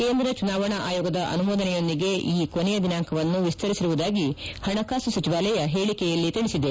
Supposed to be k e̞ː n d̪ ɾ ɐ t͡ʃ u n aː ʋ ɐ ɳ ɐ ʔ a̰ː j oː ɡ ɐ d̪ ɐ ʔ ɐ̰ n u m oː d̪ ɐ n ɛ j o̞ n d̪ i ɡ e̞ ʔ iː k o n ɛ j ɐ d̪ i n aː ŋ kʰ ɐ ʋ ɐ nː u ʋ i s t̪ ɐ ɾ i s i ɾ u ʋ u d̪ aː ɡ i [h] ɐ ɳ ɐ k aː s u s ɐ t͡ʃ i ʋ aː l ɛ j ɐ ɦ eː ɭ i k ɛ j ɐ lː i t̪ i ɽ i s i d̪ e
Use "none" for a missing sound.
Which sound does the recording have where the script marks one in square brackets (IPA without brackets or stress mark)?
h